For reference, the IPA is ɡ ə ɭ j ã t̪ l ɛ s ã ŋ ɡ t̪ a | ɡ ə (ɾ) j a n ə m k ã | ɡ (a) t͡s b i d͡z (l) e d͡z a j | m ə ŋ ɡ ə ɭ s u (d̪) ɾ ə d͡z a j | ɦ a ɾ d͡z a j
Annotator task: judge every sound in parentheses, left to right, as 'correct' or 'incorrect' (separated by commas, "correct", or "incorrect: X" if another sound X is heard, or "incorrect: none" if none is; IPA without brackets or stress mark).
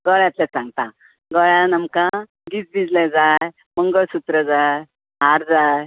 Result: incorrect: ɭ, incorrect: i, correct, incorrect: t̪